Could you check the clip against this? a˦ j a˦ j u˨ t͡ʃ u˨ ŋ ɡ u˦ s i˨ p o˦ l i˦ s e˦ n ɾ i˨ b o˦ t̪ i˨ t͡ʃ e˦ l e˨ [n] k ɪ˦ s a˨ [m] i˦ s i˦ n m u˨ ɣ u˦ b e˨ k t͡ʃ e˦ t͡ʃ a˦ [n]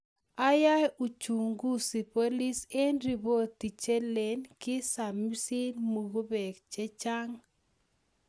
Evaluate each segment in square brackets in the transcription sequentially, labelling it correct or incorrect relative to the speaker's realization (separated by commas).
correct, correct, incorrect